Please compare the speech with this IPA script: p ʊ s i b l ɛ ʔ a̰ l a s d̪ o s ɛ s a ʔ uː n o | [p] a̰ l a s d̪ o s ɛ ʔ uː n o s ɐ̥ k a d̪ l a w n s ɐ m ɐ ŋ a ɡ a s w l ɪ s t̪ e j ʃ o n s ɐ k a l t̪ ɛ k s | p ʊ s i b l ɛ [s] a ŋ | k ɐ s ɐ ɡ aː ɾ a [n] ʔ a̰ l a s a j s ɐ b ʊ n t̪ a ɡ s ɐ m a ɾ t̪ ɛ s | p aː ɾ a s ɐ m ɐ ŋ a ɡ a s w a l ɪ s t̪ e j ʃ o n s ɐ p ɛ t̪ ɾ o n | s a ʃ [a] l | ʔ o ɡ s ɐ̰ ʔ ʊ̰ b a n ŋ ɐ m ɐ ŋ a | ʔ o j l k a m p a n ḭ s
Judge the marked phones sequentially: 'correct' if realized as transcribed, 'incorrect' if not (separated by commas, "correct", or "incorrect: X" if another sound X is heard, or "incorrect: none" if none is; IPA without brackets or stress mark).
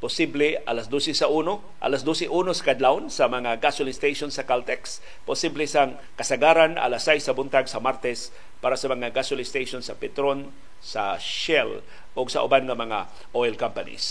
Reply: incorrect: ʔ, correct, correct, incorrect: ɛ